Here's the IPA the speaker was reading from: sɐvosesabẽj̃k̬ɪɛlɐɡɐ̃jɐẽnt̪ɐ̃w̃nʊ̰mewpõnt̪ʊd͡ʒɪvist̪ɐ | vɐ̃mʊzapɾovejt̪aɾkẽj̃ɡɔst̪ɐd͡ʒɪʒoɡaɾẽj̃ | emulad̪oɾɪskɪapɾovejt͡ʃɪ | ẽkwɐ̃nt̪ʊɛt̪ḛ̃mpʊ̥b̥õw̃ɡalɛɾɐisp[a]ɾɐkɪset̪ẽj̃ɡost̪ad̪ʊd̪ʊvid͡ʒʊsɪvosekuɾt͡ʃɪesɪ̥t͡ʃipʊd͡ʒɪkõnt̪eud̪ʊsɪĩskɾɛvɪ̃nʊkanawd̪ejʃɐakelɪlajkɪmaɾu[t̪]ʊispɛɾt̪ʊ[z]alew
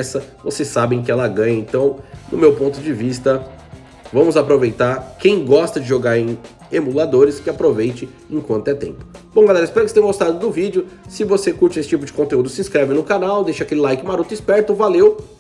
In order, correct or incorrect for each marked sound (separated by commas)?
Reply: incorrect, correct, incorrect